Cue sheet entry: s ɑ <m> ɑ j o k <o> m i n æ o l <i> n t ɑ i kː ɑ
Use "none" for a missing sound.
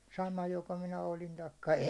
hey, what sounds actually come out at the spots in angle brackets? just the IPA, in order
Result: m, o, i

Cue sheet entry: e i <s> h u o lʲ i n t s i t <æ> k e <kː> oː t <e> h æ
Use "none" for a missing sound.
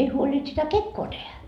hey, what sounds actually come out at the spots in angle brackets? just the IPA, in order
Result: none, æ, kː, e

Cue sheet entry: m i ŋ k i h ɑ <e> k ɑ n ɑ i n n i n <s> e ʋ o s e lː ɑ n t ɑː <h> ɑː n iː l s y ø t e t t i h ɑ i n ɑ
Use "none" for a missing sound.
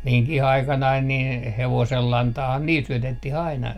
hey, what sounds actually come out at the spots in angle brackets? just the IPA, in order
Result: i, h, h

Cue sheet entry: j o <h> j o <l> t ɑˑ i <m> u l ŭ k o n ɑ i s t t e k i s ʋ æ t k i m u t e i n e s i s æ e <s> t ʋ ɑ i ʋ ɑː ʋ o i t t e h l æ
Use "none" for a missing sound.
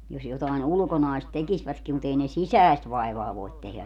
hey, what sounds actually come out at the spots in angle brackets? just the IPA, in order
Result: s, none, n, s

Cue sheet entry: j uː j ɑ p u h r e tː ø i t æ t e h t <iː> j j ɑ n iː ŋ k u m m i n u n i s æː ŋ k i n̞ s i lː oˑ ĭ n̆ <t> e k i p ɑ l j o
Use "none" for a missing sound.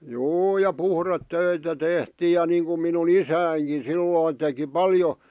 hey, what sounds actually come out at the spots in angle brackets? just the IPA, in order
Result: iː, t

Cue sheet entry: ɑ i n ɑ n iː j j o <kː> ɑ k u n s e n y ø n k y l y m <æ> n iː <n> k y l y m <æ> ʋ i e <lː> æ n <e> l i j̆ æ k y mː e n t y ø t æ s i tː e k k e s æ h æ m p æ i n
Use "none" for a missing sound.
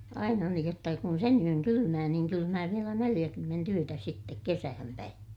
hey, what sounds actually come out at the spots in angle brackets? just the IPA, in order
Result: tː, æː, ŋ, æː, l, e

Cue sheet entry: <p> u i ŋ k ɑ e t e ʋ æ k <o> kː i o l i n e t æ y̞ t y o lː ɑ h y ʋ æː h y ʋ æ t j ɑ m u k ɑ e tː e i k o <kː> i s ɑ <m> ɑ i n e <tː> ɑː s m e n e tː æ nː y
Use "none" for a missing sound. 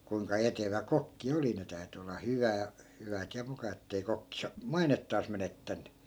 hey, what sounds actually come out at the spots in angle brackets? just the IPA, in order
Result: k, o, kː, m, tː

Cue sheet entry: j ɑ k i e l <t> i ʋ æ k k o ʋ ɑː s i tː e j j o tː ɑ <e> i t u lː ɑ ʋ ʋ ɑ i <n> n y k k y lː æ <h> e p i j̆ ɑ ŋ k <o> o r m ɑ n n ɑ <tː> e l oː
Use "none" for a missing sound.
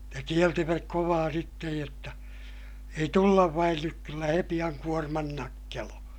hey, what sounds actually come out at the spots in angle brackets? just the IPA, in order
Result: t, e, n, h, u, kː

